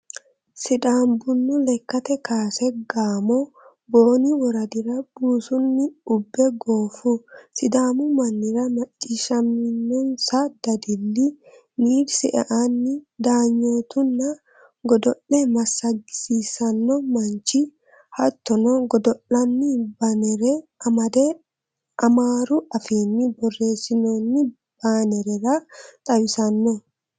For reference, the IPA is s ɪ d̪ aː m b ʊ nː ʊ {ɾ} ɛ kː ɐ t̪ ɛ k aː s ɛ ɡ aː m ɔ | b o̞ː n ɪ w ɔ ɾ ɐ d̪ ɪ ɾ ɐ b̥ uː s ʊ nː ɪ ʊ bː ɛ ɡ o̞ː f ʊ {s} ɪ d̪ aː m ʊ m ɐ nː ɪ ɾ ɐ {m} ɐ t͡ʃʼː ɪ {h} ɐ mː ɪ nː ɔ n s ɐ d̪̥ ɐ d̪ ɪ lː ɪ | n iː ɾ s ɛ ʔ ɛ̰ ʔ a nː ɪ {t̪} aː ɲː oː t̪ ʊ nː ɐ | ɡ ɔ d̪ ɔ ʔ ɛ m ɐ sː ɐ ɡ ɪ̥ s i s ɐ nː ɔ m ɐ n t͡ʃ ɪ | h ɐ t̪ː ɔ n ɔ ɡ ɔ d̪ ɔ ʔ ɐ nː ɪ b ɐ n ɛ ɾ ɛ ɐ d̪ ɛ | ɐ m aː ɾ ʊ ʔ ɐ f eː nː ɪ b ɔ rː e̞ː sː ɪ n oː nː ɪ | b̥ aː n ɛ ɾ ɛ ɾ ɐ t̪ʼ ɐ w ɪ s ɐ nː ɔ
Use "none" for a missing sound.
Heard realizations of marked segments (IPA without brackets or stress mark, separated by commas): l, s, m, ʃ, d̪